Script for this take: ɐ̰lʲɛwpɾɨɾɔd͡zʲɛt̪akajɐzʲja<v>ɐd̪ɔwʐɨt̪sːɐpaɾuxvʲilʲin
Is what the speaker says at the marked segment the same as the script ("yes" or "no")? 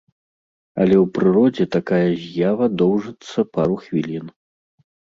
yes